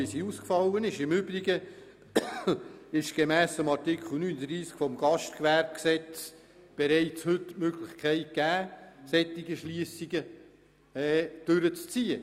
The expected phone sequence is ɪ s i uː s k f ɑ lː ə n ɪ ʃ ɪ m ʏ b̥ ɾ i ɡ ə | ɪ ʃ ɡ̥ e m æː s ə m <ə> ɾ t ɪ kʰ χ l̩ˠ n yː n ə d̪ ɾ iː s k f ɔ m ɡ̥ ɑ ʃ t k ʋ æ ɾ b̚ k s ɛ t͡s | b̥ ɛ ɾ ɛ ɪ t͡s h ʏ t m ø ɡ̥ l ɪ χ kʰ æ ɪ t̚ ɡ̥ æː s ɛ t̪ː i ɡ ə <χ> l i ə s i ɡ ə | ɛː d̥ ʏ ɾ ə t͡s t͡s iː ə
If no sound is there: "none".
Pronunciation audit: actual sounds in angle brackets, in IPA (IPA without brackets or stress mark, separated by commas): ɑ, ʃ